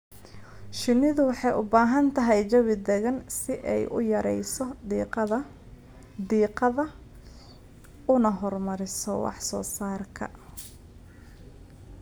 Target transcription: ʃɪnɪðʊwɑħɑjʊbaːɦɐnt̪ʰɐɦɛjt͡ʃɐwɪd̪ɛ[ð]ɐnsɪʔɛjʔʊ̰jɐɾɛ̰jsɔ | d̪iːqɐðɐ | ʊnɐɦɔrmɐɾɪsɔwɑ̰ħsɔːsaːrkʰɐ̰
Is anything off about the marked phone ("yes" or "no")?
yes